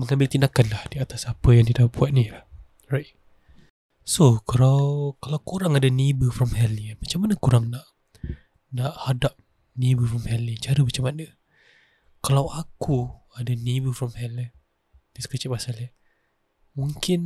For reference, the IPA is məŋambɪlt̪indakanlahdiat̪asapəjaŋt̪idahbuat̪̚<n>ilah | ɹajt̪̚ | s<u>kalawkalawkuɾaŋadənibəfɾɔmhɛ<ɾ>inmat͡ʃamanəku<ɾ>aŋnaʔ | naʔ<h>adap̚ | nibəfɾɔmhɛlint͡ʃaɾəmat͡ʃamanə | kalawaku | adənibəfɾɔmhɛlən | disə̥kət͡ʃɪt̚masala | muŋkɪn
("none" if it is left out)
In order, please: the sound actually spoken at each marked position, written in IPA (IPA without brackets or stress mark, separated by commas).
n, o, l, ɾ, h